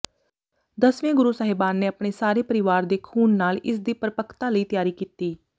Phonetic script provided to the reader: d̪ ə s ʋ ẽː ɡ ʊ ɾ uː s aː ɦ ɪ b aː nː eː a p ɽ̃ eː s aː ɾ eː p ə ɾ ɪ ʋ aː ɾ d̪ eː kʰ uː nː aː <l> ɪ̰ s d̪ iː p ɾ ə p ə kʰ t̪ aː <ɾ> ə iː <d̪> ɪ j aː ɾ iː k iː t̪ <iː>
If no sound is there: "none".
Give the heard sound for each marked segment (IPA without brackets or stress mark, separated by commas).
l, l, t̪, iː